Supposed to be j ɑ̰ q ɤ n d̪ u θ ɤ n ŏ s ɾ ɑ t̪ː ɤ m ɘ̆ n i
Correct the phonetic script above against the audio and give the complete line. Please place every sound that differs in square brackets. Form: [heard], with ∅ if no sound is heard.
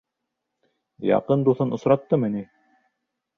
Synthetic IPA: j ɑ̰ q ɤ n d̪ u θ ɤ n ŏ s ɾ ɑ t̪ː ɤ m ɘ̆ n i